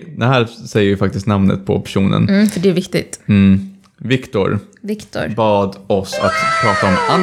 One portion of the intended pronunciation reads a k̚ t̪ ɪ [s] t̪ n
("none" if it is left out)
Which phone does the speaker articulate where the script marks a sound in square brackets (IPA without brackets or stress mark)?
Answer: s